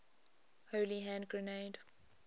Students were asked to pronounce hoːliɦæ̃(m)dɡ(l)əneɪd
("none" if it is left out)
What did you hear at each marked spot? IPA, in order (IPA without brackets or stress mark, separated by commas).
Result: n, ɹ